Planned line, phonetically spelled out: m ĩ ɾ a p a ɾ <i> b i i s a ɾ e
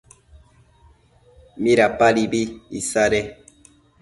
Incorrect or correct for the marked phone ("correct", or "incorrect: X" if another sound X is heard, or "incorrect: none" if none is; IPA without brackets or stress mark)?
correct